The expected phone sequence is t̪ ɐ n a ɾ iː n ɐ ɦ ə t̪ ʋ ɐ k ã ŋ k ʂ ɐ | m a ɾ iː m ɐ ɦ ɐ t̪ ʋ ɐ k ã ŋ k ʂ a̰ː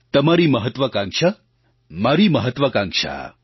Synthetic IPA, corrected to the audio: t̪ ɐ m a ɾ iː m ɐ ɦ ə t̪ ʋ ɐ k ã ŋ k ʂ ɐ | m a ɾ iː m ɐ ɦ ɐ t̪ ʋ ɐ k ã ŋ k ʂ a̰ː